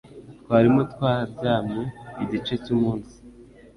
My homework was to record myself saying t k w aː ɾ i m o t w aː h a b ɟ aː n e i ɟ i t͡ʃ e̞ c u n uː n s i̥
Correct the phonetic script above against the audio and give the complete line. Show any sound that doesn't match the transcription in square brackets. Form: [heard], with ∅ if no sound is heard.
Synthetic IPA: t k w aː ɾ i m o t w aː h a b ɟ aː [m] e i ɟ i t͡ʃ e̞ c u [m] uː n s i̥